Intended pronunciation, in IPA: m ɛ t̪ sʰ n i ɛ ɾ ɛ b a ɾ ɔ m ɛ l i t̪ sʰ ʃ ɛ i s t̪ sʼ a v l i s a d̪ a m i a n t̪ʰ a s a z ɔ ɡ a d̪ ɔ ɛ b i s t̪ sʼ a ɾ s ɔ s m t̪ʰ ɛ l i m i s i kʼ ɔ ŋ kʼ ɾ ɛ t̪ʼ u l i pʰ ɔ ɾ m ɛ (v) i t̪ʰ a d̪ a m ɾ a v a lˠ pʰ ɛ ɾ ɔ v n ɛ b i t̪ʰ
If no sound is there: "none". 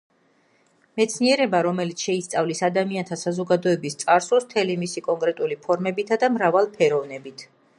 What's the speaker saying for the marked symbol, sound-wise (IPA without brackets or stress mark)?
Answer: b